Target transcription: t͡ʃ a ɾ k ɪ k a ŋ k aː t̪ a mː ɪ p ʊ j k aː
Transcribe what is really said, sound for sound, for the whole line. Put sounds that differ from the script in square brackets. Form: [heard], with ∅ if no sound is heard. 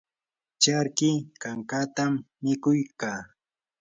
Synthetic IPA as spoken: t͡ʃ a ɾ k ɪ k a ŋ k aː t̪ a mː ɪ [k] ʊ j k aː